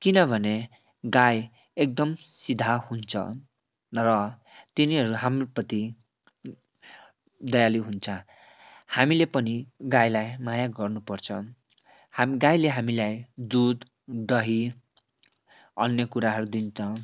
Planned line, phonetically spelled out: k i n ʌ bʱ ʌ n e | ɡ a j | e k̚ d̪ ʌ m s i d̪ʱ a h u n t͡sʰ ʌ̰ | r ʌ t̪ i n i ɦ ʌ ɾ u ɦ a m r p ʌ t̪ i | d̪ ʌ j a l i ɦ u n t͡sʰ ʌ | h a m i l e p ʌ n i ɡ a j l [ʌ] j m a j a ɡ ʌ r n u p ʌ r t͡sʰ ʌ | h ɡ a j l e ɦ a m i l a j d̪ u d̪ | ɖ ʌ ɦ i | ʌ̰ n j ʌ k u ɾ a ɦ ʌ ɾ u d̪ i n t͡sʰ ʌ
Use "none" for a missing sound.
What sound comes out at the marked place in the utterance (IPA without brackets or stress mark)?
a